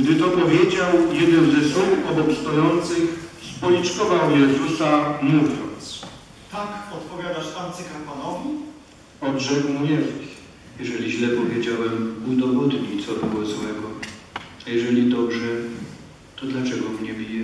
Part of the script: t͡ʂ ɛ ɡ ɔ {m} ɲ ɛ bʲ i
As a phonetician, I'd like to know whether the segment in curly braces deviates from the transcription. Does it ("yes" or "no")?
no